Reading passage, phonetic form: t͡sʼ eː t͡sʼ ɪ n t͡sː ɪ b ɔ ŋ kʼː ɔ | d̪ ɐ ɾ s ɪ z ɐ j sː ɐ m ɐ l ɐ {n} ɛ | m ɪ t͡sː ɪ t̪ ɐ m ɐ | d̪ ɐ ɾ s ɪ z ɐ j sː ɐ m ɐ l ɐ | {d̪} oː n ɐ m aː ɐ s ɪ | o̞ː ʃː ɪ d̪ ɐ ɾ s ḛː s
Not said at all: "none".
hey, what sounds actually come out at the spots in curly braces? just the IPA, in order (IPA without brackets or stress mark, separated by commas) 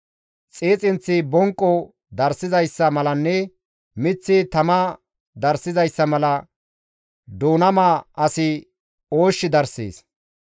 nː, d̪